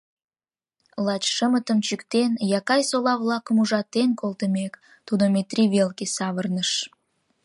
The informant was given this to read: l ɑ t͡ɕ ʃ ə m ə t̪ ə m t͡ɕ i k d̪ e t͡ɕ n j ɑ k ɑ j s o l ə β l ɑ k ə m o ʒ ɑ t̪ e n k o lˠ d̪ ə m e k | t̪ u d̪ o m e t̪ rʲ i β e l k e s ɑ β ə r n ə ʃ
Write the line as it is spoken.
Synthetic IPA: l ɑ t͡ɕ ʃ ə m ə t̪ ə m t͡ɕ y k t̪ e n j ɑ k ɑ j s o l ɑ β l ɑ k ə m u ʒ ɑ t̪ e n k o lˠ t̪ ə m e k | t̪ u d̪ o m e t̪ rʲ i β e l k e s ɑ β ə r n ə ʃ